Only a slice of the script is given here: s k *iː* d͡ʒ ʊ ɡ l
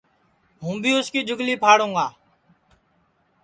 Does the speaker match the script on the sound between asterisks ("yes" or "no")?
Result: yes